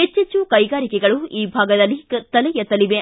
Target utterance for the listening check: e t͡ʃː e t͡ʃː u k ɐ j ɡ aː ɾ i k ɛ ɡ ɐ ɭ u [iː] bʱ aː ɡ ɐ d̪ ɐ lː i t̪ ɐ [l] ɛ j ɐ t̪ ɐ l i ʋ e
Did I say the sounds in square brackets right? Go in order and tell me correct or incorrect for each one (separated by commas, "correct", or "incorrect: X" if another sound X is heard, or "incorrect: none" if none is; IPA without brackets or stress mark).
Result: correct, correct